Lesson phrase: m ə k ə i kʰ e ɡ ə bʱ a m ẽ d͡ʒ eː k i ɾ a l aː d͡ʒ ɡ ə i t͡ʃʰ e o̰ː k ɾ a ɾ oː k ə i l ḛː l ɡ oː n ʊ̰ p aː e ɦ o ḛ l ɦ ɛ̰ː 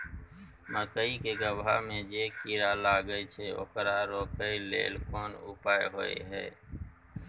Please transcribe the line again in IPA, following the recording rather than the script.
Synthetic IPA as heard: m ə k ə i k e ɡ ə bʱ a m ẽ d͡ʒ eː k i ɾ a l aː ɡ ə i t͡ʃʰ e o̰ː k ɾ a ɾ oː k ə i l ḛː l k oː n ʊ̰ p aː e ɦ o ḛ ɦ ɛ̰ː